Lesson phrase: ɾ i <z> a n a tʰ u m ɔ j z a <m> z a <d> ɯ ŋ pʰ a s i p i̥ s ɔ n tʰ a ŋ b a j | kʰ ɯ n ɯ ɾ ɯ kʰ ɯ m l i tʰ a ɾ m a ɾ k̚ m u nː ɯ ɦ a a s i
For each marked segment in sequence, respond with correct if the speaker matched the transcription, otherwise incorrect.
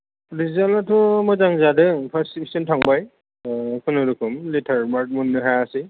correct, incorrect: ŋ, correct

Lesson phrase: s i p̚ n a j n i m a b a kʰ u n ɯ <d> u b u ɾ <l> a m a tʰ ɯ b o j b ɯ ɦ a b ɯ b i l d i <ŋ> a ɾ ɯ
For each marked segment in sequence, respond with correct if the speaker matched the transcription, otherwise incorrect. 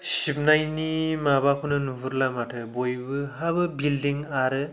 incorrect: n, correct, correct

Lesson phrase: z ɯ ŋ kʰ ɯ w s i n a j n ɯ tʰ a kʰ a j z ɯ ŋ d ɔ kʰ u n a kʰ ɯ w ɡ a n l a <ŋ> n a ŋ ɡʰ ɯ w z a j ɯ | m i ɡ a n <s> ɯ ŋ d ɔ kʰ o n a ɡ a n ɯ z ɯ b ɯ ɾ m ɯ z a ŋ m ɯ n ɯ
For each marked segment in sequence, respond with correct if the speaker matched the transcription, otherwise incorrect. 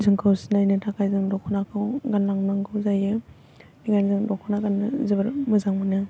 correct, incorrect: z

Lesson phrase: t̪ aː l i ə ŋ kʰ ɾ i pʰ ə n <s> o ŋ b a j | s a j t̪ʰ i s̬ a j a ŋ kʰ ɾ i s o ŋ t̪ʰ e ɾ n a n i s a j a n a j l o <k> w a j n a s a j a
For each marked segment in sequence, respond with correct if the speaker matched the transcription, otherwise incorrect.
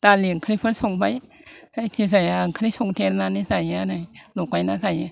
correct, correct

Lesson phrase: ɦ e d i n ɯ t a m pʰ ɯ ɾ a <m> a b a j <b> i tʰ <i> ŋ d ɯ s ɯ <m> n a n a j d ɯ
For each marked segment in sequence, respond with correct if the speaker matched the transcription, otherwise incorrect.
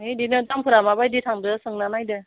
correct, incorrect: d, incorrect: a, incorrect: ŋ

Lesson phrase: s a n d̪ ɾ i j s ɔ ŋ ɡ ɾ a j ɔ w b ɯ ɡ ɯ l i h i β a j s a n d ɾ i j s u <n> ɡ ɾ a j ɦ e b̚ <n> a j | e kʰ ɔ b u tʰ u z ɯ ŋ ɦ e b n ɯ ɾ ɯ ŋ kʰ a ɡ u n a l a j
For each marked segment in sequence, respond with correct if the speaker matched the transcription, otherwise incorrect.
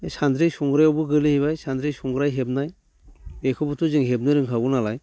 incorrect: ŋ, correct

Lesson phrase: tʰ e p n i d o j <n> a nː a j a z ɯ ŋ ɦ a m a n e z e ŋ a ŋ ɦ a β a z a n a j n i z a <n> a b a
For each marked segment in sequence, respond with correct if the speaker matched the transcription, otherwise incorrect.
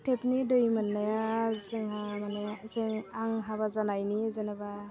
incorrect: m, correct

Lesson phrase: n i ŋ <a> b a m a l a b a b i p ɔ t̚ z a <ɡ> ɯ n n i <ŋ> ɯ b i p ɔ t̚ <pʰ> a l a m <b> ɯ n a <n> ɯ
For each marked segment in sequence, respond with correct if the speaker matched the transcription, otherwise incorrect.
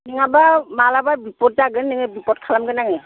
correct, correct, correct, incorrect: kʰ, incorrect: ɡ, incorrect: ŋ

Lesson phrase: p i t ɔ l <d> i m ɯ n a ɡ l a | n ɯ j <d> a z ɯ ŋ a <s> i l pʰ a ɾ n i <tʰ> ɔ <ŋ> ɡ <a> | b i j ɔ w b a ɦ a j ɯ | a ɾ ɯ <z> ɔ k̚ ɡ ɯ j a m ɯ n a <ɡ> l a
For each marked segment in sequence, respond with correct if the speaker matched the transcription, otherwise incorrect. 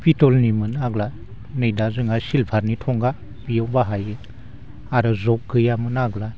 incorrect: n, correct, correct, correct, correct, correct, correct, correct

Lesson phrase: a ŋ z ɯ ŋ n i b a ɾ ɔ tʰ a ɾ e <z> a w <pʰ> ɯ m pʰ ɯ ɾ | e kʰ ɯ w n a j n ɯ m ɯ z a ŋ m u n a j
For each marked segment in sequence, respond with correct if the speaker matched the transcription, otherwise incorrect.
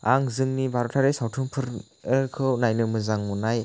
incorrect: s, incorrect: tʰ

